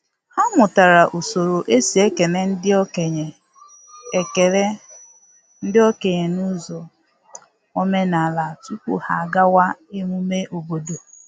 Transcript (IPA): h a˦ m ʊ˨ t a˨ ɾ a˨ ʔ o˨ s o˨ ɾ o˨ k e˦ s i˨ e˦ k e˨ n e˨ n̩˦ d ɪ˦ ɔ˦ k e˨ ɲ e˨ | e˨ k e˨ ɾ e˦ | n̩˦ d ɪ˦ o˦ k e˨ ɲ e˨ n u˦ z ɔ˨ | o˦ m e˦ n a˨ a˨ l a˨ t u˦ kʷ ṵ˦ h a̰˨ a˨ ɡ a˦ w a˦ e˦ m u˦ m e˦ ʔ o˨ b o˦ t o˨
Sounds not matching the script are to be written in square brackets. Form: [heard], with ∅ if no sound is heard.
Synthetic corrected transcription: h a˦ m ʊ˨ t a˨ ɾ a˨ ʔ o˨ s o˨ ɾ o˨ [ʔ] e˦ s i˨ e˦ k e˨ n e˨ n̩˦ d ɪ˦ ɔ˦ k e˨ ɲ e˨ | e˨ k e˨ ɾ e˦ | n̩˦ d ɪ˦ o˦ k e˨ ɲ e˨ n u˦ z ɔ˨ | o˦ m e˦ n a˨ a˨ l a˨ t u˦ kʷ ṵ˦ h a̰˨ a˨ ɡ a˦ w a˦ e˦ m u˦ m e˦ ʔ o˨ b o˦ [d] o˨